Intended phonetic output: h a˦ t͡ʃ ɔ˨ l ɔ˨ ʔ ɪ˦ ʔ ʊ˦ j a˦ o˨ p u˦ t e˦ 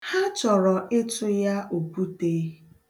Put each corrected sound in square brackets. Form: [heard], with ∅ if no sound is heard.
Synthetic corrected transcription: h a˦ t͡ʃ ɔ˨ [ɾ] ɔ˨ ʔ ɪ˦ [t] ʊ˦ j a˦ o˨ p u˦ t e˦